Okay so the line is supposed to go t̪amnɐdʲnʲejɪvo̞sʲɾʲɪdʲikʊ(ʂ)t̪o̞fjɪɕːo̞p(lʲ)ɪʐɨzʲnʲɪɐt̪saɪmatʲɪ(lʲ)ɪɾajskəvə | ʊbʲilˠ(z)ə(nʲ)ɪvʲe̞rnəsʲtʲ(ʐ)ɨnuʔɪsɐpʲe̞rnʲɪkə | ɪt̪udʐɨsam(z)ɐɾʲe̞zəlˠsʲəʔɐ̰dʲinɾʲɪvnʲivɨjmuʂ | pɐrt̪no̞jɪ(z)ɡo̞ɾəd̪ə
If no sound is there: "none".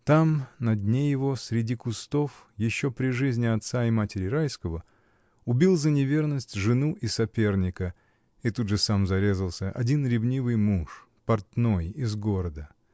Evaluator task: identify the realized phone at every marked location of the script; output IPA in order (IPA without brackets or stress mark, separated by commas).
s, ɾʲ, ɾʲ, z, nʲ, ʐ, z, z